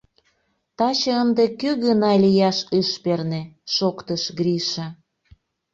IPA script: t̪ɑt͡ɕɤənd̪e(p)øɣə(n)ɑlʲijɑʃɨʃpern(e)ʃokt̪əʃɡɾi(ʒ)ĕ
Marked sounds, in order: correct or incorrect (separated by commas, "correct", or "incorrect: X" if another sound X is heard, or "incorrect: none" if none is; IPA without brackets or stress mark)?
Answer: incorrect: k, correct, correct, incorrect: ʃ